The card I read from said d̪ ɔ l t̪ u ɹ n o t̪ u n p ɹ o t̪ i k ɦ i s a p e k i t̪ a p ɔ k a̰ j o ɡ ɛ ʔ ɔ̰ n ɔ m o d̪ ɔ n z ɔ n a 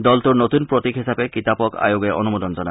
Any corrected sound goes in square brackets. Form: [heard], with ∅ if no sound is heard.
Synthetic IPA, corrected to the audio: d̪ ɔ l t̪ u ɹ n o t̪ u n p ɹ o t̪ i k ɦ i s a p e k i t̪ a p ɔ k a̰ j o ɡ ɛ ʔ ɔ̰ n [u] m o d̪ ɔ n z ɔ n a